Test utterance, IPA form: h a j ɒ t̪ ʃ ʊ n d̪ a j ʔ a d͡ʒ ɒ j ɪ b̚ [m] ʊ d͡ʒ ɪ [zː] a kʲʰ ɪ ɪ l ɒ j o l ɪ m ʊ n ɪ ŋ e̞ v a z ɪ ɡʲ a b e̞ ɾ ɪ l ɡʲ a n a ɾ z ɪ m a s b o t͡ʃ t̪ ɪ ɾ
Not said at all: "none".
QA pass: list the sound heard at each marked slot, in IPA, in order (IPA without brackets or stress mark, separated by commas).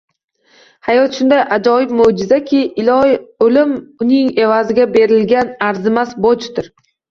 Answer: m, z